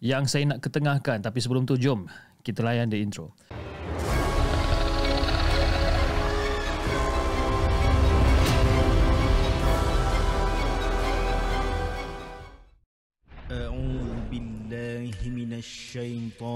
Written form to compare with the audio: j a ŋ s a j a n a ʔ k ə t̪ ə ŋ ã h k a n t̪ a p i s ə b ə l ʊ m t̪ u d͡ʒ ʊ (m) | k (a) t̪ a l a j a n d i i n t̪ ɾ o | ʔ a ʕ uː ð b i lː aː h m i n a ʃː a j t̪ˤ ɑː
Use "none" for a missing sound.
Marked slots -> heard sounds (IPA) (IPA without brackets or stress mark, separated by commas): m, i